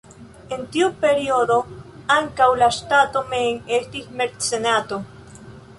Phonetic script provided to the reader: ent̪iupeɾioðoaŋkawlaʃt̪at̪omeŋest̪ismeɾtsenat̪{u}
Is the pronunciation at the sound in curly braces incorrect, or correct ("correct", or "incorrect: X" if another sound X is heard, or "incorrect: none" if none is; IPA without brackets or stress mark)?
incorrect: o